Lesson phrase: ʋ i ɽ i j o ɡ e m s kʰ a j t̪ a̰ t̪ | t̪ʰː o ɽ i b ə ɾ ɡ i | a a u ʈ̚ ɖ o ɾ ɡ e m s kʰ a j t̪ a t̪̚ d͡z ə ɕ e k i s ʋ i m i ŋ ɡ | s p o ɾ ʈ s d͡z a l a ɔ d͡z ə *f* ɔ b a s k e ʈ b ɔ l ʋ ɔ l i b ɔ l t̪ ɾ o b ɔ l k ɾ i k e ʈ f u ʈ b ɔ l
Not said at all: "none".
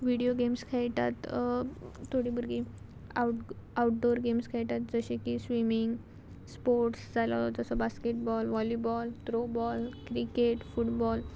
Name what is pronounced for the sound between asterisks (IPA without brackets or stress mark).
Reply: s